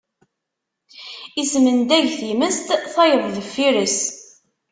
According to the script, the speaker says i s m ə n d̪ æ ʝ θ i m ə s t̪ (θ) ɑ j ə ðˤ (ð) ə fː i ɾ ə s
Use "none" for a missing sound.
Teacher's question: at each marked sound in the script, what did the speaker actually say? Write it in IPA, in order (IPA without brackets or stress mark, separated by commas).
θ, ð